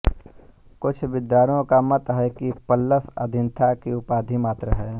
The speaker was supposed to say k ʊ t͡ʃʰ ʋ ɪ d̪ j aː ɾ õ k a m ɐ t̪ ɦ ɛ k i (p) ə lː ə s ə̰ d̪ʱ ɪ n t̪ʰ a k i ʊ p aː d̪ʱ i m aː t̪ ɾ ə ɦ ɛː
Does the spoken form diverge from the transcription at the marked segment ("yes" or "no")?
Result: no